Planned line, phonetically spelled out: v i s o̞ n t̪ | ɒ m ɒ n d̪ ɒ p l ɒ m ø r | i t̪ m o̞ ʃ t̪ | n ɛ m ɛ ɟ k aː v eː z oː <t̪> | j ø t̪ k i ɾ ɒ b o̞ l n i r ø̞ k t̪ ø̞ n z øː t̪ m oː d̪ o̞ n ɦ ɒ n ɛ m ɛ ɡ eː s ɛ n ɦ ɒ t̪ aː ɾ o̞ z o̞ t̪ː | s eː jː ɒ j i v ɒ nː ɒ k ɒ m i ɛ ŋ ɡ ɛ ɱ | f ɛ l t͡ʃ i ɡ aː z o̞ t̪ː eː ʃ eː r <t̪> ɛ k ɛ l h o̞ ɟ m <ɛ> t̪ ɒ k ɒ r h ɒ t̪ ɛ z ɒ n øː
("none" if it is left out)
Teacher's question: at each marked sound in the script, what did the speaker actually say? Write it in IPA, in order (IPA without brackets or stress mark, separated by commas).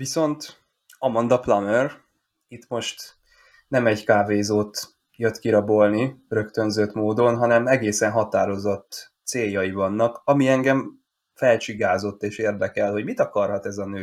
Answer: t̪, d̪, i